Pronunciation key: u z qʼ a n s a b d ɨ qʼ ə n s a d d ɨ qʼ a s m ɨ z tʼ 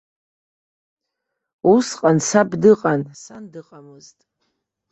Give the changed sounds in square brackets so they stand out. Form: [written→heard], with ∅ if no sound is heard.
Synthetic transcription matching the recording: u [z→s] qʼ a n s a b d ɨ qʼ [ə→a] n s a [d→n] d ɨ qʼ a [s→∅] m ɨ z tʼ